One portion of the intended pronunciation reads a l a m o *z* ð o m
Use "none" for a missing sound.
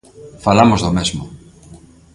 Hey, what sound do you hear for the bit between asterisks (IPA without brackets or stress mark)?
z